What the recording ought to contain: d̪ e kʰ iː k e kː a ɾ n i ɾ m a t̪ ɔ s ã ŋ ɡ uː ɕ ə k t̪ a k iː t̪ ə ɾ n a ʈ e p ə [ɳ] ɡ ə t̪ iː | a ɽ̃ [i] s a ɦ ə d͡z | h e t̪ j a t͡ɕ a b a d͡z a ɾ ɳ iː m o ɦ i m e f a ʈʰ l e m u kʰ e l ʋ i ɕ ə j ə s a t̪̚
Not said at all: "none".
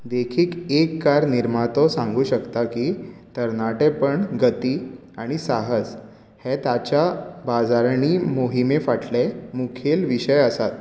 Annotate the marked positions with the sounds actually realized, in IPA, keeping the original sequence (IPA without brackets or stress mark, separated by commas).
ɳ, i